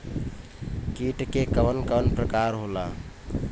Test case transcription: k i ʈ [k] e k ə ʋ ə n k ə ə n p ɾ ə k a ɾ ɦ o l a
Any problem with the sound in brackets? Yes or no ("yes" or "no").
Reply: no